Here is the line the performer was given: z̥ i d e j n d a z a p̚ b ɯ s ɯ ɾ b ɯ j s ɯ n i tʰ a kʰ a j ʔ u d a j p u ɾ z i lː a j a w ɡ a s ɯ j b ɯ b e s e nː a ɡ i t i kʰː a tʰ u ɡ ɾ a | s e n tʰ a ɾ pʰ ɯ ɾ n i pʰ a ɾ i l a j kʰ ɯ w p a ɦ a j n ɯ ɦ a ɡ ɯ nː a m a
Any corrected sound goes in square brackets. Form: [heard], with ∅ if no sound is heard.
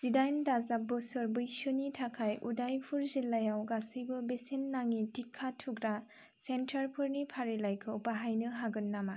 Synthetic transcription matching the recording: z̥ i d [a] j n d a z a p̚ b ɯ s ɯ ɾ b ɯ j s ɯ n i tʰ a kʰ a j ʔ u d a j [pʰ] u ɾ z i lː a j a w ɡ a s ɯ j b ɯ b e s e nː a [ŋ] i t i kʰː a tʰ u ɡ ɾ a | s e n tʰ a ɾ pʰ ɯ ɾ n i pʰ a ɾ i l a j kʰ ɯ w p a ɦ a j n ɯ ɦ a ɡ ɯ nː a m a

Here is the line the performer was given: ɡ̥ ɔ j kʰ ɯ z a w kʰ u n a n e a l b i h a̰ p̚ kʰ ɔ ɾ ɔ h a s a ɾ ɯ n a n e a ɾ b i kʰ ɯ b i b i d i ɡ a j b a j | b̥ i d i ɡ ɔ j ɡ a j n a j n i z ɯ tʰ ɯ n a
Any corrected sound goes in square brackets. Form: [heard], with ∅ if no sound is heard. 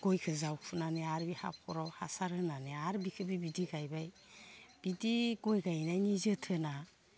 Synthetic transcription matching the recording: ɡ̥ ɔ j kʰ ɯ z a w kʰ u n a n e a [ɾ] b i h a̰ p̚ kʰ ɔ ɾ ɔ h a s a ɾ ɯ n a n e a ɾ b i kʰ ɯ b i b i d i ɡ a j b a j | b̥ i d i ɡ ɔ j ɡ a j n a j n i z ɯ tʰ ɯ n a

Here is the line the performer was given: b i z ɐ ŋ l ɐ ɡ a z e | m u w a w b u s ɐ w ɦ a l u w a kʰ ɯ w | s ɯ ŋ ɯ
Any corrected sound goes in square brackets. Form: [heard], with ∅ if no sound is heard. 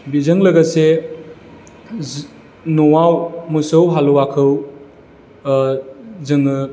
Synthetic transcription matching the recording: b i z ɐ ŋ l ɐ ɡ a [s] e | [n] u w a w [m] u s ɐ w ɦ a l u w a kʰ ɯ w | [z] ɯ ŋ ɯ

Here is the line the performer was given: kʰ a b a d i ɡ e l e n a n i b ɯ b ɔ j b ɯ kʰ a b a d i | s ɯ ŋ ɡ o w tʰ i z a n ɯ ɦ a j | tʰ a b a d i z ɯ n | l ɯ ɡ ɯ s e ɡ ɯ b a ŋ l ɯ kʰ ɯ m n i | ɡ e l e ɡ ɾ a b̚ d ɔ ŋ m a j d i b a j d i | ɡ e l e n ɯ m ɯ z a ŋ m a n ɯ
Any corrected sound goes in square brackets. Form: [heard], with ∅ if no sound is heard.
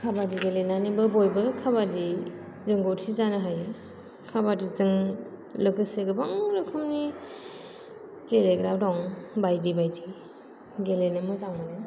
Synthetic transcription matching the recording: kʰ a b a d i ɡ e l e n a n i b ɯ b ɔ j b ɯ kʰ a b a d i | [z] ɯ ŋ ɡ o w tʰ i z a n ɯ ɦ a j | [kʰ] a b a d i z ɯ [ŋ] | l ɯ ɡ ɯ s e ɡ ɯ b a ŋ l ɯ kʰ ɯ m n i | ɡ e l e ɡ ɾ a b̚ d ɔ ŋ [b] a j d i b a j d i | ɡ e l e n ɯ m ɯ z a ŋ m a n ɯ

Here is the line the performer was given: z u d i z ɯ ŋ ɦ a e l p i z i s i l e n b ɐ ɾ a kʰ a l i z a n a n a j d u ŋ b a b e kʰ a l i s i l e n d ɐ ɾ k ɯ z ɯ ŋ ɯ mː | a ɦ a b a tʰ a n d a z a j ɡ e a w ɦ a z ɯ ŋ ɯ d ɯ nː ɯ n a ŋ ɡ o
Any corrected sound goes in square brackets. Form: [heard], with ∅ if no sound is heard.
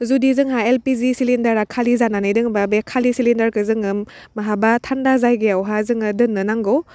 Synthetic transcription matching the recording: z u d i z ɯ ŋ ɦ a e l p i z i s i l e n [d] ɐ ɾ a kʰ a l i z a n a n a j d [ɯ] ŋ b a b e kʰ a l i s i l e n d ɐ ɾ k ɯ z ɯ ŋ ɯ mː | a ɦ a b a tʰ a n d a z a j ɡ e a w ɦ a z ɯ ŋ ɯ d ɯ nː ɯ n a ŋ ɡ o

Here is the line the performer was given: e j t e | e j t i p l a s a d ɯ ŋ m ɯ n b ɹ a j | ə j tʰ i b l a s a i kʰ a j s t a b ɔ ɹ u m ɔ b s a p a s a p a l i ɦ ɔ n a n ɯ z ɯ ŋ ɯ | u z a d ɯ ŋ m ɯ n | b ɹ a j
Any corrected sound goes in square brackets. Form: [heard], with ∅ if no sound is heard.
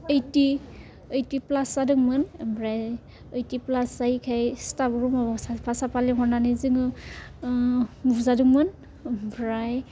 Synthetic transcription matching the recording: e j t [i] | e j t i p l a s a d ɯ ŋ m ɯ n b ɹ a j | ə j [t] i [p] l a s a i kʰ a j s t a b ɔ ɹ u m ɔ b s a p a s a p a l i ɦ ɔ n a n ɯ z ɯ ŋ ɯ | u z a d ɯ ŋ m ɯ n | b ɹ a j

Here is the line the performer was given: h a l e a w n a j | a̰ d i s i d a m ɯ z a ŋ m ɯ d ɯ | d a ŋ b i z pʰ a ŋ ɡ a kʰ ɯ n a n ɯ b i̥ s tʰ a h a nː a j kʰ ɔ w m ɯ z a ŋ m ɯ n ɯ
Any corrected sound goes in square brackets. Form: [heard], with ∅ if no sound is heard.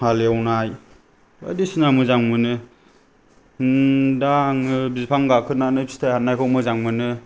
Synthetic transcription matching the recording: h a l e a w n a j | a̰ d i s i [n] a m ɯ z a ŋ m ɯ [n] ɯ | d a ŋ b i z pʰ a ŋ ɡ a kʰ ɯ n a n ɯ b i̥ s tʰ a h a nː a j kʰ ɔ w m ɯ z a ŋ m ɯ n ɯ

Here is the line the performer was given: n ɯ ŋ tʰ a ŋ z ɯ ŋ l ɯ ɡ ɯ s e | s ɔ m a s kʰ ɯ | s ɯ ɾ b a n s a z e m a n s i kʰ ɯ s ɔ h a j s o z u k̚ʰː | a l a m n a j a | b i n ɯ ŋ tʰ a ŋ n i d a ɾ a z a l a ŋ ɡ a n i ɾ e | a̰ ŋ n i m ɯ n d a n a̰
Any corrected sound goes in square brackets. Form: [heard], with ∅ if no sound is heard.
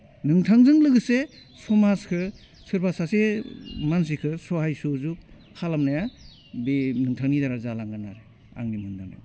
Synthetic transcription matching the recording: n ɯ ŋ tʰ a ŋ z ɯ ŋ l ɯ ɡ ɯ s e | s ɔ m a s kʰ ɯ | s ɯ ɾ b a [∅] s a [s] e m a n s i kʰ ɯ s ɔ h a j s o z u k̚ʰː | a l a m n a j a | b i n ɯ ŋ tʰ a ŋ n i d a ɾ a z a l a ŋ ɡ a n [a] ɾ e | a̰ ŋ n i m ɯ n d a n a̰

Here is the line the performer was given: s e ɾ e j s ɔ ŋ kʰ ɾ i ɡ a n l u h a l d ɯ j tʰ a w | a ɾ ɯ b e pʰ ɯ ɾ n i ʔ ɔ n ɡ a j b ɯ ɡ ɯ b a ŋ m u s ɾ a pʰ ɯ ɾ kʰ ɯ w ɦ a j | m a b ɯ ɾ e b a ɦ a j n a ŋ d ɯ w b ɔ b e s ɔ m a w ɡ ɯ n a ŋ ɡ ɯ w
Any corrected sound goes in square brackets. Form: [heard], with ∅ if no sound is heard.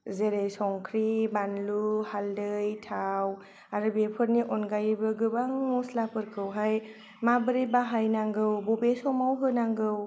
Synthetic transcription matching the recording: [z] e ɾ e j s ɔ ŋ kʰ ɾ i [b] a n l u h a l d ɯ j tʰ a w | a ɾ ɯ b e pʰ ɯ ɾ n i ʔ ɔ n ɡ a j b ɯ ɡ ɯ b a ŋ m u s [l] a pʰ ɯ ɾ kʰ ɯ w ɦ a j | m a b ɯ ɾ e b a ɦ a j n a ŋ [ɡ] ɯ w b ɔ b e s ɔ m a w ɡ ɯ n a ŋ ɡ ɯ w

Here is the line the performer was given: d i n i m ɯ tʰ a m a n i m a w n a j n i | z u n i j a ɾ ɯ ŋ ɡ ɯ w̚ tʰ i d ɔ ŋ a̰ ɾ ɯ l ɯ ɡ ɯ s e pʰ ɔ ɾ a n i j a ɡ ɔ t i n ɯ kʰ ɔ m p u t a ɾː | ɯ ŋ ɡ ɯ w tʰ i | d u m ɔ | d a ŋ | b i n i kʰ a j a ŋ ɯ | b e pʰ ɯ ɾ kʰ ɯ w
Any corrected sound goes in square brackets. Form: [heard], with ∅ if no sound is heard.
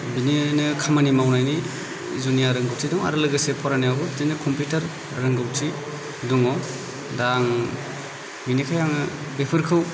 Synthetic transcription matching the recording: [b] i n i [n] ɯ [kʰ] a m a n i m a w n a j n i | z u n i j a ɾ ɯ ŋ ɡ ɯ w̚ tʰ i d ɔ ŋ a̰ ɾ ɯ l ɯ ɡ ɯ s e pʰ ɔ ɾ a n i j a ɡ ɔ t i n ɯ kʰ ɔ m p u t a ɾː | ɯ ŋ ɡ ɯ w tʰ i | d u [ŋ] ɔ | d a ŋ | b i n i kʰ a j a ŋ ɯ | b e pʰ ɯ ɾ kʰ ɯ w

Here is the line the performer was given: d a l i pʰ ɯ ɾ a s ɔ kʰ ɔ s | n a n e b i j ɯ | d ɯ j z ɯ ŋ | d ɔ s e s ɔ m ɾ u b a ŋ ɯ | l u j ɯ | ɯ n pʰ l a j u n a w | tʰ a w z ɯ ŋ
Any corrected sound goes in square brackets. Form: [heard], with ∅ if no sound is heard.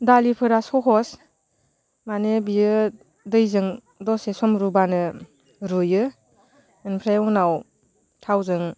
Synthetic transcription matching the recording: d a l i pʰ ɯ ɾ a s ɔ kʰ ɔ s | [m] a n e b i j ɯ | d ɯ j z ɯ ŋ | d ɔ s e s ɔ m ɾ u b a [n] ɯ | [ɾ] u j ɯ | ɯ n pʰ [ɾ] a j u n a w | tʰ a w z ɯ ŋ

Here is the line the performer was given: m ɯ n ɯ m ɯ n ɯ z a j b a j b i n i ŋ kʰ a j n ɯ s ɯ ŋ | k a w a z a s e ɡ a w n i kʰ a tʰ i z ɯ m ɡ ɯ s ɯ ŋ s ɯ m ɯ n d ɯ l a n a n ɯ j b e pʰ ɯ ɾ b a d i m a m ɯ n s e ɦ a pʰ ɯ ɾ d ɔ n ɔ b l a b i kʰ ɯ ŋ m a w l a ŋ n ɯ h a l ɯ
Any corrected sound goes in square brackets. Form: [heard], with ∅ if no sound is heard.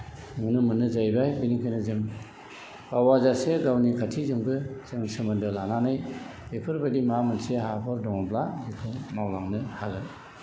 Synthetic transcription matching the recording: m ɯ n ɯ m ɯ n ɯ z a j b a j b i n i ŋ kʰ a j n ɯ [z] ɯ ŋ | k a w a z a s e ɡ a w n i kʰ a tʰ i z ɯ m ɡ ɯ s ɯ ŋ s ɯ m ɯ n d ɯ l a n a n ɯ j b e pʰ ɯ ɾ b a d i m a m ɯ n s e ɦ a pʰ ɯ ɾ d ɔ [ŋ] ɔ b l a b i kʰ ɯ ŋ m a w l a ŋ n ɯ h a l ɯ

